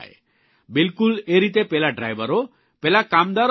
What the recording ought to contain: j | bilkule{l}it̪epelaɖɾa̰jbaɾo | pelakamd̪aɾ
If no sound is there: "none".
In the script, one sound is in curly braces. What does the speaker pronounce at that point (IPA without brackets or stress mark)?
ɾ